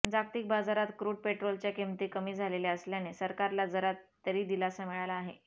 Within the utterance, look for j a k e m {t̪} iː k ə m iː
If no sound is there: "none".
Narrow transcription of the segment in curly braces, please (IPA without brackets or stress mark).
t̪